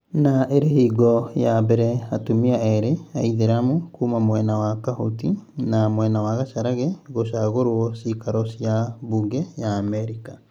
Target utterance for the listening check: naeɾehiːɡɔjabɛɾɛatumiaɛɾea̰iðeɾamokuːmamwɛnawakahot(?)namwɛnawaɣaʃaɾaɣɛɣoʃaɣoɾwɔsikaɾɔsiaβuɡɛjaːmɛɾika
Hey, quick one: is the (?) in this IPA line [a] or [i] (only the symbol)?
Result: i